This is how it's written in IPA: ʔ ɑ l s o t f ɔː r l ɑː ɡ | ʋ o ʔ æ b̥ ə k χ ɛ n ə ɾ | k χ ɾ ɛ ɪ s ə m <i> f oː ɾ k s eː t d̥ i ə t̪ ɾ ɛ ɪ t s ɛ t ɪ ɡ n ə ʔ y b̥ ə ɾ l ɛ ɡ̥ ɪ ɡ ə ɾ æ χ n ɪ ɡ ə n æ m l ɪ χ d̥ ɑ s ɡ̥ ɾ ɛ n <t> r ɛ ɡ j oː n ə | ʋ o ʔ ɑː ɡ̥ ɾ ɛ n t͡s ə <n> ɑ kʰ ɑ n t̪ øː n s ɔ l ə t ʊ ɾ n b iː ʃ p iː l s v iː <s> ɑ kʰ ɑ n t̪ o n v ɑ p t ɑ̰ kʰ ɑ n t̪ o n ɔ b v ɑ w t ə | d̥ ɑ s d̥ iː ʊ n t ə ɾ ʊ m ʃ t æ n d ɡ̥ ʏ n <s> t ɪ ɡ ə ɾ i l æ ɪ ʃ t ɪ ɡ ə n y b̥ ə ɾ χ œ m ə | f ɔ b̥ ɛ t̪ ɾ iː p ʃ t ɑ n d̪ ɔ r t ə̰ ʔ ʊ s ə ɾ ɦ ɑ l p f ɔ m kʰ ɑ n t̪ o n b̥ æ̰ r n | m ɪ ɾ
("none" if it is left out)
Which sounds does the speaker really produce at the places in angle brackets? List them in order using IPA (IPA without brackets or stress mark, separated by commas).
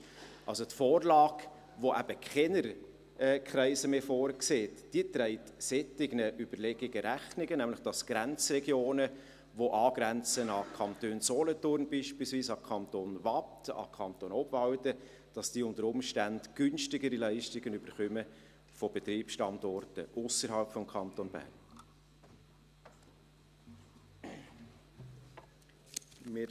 e, t͡s, n, s, ʃ